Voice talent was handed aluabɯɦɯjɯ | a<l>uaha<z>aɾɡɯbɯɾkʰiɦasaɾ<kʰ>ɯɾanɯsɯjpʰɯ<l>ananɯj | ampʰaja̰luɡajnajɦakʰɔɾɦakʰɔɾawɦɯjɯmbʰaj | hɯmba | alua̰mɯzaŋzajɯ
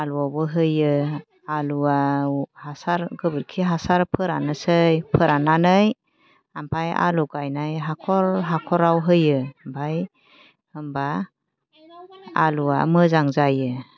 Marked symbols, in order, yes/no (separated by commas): yes, no, no, no